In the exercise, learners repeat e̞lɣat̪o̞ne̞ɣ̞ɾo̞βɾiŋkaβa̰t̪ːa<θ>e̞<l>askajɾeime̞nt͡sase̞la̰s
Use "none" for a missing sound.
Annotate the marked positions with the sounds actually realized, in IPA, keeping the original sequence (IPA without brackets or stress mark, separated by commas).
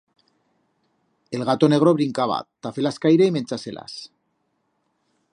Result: f, l